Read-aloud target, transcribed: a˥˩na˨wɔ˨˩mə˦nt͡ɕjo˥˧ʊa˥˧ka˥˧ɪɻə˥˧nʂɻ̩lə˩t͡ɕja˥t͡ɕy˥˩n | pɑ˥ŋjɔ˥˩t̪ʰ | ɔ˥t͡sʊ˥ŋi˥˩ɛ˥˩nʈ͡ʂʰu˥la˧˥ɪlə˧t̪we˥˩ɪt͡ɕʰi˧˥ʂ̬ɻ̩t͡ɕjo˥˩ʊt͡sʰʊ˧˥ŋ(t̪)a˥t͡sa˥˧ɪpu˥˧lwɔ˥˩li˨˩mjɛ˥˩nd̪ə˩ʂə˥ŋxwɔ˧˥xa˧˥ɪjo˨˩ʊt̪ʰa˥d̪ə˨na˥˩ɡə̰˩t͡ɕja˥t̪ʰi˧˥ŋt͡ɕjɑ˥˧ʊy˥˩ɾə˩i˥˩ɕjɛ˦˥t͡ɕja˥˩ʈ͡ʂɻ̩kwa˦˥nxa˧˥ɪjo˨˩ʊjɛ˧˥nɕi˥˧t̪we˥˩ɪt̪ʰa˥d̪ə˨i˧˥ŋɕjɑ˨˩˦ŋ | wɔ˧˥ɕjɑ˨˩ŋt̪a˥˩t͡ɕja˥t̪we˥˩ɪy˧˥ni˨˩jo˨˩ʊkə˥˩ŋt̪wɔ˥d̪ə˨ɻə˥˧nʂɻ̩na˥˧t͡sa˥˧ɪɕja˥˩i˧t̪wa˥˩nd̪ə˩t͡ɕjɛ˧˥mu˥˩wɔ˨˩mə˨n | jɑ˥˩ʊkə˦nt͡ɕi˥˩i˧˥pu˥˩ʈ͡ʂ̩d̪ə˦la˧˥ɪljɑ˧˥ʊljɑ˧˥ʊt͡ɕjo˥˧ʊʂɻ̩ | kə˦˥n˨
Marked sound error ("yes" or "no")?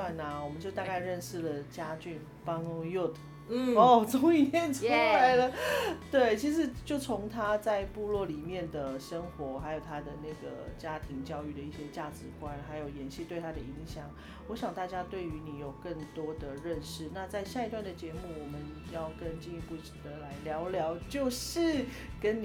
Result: yes